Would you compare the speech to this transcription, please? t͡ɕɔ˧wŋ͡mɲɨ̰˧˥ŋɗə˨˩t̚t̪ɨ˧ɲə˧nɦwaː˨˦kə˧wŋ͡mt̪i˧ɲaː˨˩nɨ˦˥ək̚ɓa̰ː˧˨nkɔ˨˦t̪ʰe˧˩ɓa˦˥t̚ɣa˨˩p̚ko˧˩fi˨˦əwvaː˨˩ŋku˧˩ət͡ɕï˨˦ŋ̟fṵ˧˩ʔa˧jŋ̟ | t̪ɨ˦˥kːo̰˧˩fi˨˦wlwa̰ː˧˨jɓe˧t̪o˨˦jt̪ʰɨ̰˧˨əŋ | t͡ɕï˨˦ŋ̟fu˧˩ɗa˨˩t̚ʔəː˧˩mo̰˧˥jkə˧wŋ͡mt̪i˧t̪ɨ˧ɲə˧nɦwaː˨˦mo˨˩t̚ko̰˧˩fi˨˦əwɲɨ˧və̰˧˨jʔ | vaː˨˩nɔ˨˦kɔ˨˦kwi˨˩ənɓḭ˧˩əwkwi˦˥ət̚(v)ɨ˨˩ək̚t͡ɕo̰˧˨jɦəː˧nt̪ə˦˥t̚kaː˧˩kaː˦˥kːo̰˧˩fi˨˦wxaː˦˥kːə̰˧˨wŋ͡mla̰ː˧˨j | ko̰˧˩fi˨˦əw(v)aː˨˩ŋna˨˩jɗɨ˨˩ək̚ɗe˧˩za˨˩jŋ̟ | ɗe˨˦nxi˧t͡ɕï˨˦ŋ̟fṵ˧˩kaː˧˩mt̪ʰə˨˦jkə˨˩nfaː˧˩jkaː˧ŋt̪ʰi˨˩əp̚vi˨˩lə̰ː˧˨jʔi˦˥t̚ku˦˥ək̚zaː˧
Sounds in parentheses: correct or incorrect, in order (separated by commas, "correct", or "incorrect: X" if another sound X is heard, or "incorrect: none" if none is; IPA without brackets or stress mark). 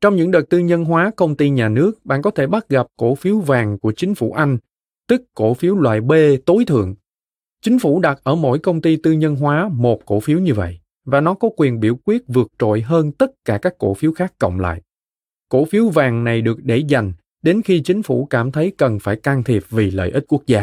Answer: correct, correct